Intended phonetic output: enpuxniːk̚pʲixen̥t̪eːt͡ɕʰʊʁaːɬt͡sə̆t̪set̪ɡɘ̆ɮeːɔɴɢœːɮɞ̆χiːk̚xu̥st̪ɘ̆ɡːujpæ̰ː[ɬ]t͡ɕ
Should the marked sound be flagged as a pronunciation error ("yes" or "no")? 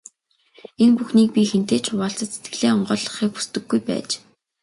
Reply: yes